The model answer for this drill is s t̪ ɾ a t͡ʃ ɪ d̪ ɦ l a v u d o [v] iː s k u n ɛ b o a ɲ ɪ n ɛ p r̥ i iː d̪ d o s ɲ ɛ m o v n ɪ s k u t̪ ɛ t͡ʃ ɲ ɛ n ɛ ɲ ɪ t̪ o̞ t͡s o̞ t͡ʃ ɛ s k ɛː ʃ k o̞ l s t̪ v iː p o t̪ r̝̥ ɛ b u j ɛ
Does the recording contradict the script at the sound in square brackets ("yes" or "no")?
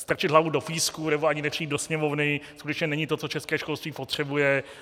yes